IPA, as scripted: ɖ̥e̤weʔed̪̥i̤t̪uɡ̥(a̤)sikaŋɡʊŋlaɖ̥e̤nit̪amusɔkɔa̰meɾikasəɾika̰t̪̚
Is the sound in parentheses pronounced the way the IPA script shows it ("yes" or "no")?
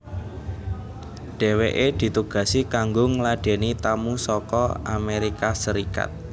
yes